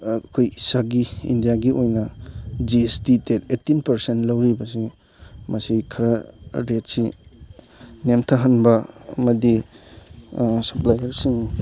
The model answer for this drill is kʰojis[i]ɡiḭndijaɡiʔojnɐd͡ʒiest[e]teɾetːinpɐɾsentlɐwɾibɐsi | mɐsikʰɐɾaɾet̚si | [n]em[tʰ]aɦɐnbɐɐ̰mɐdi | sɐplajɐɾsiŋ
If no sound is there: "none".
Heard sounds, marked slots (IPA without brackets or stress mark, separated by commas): a, i, n, tʰ